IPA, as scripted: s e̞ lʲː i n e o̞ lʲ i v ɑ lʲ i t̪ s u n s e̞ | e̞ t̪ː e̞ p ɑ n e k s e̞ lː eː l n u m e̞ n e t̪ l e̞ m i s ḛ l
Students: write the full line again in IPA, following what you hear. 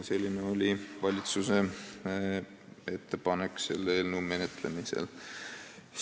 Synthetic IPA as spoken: s e̞ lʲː i n e o̞ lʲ i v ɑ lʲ i t̪ s u s e̞ | e̞ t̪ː e̞ p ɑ n e k s e̞ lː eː l n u m e̞ n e t̪ l e̞ m i s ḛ l